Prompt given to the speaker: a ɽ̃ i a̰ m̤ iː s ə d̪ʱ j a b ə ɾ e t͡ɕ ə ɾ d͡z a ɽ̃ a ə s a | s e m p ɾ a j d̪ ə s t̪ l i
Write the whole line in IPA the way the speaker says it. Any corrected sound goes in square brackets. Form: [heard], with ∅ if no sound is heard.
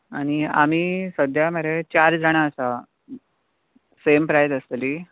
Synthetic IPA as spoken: a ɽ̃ i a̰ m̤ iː s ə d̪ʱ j a [m] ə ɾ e t͡ɕ [a] ɾ d͡z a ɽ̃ a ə s a | s e m p ɾ a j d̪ ə s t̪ l i